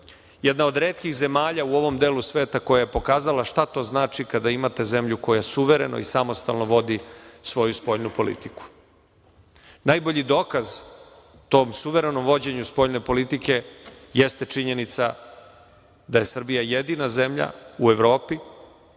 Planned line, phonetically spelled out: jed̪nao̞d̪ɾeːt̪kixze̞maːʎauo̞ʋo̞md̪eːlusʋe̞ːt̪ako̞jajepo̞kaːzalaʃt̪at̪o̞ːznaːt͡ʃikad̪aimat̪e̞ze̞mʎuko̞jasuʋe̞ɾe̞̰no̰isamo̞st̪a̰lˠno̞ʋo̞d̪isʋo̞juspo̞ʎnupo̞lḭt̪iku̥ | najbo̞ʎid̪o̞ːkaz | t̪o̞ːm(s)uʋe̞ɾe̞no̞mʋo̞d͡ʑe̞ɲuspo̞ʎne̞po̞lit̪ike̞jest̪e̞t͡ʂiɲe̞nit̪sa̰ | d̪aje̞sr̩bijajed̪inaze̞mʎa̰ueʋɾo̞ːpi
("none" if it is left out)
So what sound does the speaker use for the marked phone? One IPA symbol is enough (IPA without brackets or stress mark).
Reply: s